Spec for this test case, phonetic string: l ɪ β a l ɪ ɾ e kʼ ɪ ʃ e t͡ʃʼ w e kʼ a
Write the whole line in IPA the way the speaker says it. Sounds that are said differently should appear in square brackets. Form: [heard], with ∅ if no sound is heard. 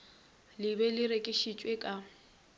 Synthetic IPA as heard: l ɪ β [ɛ] l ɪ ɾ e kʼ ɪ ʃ [i] t͡ʃʼ w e kʼ a